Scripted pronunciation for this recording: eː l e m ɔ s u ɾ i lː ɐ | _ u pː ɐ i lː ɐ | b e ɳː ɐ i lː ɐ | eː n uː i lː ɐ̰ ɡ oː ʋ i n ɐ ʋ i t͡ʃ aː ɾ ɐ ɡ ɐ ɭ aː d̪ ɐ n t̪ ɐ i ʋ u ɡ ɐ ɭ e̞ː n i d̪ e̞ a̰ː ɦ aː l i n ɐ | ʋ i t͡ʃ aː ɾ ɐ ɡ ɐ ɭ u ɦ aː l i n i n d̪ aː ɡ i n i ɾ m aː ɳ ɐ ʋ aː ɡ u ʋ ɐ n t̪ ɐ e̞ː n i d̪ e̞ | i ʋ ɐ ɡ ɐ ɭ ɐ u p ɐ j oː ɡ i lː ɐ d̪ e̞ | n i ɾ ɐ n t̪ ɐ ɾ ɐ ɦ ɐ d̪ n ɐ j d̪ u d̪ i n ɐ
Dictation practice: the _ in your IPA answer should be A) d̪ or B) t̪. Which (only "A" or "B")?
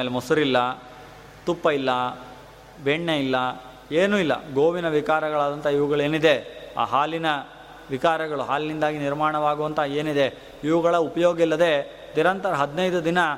B